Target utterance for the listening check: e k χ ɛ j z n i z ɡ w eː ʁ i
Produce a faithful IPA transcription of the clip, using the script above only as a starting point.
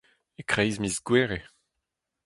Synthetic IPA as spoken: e k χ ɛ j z m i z ɡ w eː ʁ e

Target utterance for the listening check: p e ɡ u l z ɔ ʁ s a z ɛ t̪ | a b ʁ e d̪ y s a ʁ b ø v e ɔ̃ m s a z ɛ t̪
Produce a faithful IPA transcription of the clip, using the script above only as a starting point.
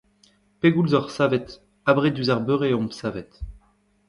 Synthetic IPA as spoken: p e ɡ u l z ɔ ʁ s a v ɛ t̪ | a b ʁ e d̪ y z a ʁ b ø ʁ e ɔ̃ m s a v ɛ t̪

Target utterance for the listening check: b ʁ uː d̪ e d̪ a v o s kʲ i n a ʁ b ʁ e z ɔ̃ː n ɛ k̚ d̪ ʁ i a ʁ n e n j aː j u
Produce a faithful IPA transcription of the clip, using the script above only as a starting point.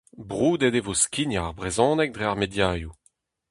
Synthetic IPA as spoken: b ʁ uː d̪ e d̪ e v o s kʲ i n a ʁ b ʁ e z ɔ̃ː n ɛ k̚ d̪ ʁ e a ʁ m e d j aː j u

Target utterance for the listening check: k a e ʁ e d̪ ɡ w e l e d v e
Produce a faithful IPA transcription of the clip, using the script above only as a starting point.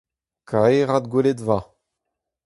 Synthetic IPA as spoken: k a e ʁ a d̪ ɡ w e l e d v a

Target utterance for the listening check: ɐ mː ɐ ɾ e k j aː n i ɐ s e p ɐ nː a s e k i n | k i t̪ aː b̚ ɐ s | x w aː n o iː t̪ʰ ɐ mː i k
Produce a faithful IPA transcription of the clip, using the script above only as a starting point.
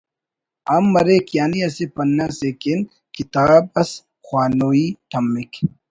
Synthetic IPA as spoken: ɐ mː ɐ ɾ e k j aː n i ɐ s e p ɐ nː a s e k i n | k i t̪ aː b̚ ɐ s | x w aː n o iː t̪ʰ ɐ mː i k

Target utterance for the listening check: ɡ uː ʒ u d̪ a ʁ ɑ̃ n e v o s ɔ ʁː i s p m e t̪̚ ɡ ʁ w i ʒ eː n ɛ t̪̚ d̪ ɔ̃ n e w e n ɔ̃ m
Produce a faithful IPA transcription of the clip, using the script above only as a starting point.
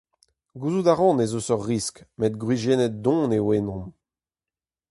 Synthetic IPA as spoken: ɡ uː z u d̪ a ʁ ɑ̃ n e z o s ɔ ʁː i s k m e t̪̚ ɡ ʁ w i ʒ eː n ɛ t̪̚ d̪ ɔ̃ n e w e n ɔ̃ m

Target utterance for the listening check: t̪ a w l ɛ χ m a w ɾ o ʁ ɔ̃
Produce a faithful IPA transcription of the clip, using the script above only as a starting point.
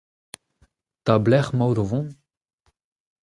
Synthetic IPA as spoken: t̪ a b l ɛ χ m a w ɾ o v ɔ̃

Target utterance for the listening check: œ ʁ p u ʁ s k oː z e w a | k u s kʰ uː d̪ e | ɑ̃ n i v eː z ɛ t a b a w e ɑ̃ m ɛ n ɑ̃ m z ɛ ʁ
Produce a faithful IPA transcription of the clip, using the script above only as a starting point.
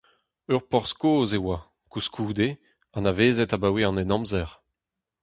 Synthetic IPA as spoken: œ ʁ p ɔ ʁ s k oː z e w a | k u s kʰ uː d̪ e | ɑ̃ n a v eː z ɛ t a b a w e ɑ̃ n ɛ n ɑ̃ m z ɛ ʁ

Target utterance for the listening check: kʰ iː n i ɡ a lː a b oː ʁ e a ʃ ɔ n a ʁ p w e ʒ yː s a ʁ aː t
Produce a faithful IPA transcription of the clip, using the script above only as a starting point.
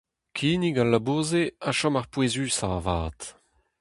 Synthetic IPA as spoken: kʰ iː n i ɡ a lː a b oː z e a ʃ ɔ m a ʁ p w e z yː s a v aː t

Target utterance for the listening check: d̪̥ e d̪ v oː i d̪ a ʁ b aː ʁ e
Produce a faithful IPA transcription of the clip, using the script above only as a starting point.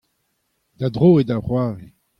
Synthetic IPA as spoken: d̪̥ a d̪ ʁ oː e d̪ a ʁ w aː ʁ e

